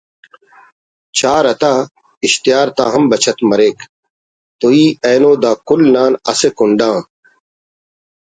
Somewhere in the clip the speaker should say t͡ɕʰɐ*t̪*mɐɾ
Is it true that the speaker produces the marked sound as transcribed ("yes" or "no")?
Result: yes